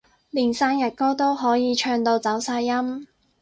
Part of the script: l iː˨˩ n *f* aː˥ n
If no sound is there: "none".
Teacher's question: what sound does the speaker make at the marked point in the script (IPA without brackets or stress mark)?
s